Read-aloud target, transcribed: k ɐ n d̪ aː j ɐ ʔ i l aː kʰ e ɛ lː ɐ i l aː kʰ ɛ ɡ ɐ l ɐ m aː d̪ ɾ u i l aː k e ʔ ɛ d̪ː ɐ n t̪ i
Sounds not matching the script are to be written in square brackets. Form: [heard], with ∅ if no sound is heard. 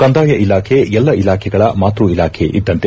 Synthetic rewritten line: k ɐ n d̪ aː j ɐ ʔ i l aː kʰ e ɛ lː ɐ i l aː kʰ ɛ ɡ ɐ [ɭ] ɐ m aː [t̪] ɾ u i l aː [kʰ] e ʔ [i] d̪ː ɐ n t̪ [e]